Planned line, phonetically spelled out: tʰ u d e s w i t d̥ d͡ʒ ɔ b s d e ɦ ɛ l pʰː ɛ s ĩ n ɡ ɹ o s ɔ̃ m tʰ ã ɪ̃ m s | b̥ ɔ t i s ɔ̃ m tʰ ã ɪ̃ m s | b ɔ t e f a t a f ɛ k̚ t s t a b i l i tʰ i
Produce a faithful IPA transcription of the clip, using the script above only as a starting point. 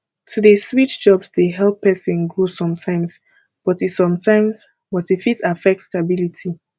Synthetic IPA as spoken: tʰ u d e s w i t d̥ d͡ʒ ɔ b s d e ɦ ɛ l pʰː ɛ s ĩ n ɡ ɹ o s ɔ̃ m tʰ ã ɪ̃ m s | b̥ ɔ t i s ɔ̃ m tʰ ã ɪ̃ m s | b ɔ t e f i t a f ɛ k̚ t s t a b i l i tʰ i